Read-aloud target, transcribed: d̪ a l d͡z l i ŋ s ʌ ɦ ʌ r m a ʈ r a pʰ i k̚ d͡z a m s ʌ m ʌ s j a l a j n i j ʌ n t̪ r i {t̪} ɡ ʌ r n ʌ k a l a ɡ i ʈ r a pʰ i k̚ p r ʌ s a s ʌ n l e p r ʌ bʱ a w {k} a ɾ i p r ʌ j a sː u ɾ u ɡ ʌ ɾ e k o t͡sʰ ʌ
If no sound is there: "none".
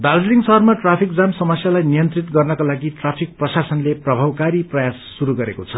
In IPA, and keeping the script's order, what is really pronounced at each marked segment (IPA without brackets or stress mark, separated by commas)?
t̪, k